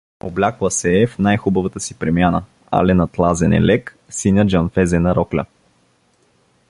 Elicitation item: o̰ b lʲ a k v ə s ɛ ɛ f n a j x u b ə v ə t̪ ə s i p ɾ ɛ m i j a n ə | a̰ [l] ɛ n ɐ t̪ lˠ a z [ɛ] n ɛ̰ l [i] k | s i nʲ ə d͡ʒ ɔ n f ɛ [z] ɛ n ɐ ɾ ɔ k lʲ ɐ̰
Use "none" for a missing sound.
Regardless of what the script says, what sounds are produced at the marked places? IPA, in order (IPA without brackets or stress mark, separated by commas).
l, ɛ, ɛ, z